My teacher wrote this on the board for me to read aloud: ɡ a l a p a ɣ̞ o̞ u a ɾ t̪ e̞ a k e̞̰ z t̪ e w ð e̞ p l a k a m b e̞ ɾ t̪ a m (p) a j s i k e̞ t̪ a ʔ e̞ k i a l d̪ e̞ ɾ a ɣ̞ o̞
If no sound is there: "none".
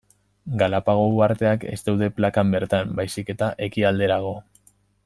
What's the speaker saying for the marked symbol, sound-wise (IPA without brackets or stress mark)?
b